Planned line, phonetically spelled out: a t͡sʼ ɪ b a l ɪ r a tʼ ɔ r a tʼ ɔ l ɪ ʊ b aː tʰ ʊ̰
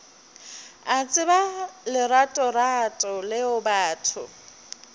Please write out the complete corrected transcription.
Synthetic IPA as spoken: a t͡sʼ ɪ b a l ɪ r a tʼ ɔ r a tʼ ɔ l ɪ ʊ b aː tʰ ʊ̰